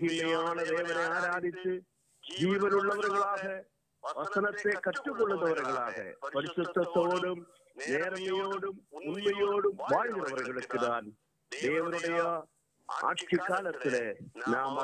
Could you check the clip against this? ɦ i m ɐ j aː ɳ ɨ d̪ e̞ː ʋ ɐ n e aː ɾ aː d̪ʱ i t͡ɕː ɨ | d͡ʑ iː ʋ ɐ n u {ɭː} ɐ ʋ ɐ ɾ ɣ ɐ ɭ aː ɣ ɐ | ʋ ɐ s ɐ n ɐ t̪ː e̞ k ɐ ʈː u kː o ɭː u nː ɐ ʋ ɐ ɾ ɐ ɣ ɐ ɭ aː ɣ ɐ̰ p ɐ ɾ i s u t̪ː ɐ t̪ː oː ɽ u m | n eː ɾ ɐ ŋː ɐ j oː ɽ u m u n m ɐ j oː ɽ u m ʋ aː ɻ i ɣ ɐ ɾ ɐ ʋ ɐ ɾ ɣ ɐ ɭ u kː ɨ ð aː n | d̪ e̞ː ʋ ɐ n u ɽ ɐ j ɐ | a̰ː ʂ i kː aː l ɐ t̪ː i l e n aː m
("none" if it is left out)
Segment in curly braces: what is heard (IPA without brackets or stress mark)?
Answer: ɭː